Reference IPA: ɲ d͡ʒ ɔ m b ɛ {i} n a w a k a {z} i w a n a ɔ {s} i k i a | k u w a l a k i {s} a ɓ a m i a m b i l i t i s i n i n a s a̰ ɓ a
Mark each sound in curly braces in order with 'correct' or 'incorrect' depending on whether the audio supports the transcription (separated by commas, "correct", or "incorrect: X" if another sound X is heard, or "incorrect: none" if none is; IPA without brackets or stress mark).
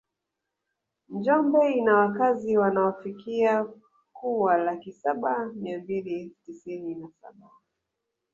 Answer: correct, correct, incorrect: f, correct